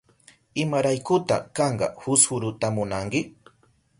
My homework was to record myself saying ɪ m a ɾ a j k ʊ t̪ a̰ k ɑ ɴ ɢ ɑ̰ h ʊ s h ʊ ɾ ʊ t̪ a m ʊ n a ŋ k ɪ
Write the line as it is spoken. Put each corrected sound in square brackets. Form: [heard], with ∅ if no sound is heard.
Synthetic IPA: ɪ m a ɾ a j k ʊ t̪ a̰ k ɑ ɴ ɢ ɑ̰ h ʊ s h ʊ ɾ ʊ t̪ a m ʊ n a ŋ k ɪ